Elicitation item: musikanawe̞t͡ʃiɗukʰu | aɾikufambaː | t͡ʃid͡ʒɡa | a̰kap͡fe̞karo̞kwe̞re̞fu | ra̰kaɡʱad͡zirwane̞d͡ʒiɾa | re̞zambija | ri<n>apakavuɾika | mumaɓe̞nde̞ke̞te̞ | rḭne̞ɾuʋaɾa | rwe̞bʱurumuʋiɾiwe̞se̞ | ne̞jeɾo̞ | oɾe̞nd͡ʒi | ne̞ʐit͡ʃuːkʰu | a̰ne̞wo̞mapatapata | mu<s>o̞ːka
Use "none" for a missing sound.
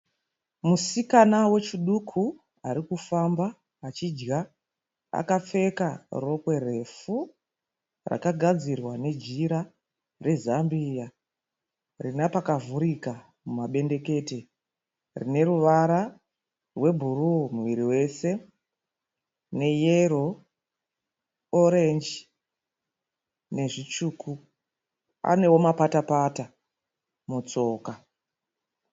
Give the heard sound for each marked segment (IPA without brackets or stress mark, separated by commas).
n, t͡s